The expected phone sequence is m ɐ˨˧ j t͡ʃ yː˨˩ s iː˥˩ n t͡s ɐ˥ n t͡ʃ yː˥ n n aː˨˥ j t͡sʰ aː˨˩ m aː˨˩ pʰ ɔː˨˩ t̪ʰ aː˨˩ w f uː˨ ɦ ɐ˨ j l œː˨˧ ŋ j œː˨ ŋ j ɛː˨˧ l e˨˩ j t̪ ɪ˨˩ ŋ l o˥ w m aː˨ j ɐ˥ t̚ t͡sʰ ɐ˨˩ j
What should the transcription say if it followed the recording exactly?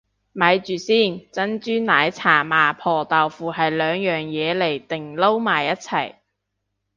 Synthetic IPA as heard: m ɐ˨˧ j t͡ʃ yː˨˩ s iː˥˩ n t͡s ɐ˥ n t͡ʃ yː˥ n n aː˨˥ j t͡sʰ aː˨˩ m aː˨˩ pʰ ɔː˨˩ t̪ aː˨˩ w f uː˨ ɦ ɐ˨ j l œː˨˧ ŋ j œː˨ ŋ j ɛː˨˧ l e˨˩ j t̪ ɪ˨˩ ŋ l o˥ w m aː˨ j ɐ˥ t̚ t͡sʰ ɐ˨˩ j